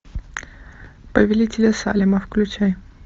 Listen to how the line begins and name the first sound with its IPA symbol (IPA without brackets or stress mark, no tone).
p